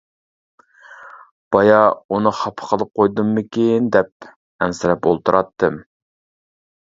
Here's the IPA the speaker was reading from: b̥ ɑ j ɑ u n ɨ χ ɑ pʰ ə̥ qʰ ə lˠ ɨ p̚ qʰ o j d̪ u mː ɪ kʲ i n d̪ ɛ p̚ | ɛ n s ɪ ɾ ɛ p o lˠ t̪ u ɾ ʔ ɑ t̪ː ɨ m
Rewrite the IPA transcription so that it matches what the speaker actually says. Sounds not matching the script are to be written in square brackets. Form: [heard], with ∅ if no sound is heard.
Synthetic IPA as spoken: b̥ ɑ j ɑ u n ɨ χ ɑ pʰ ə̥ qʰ ə lˠ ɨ p̚ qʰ o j d̪ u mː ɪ kʲ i n d̪ ɛ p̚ | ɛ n s ɪ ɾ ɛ p o lˠ t̪ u ɾ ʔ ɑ t̪ː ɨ m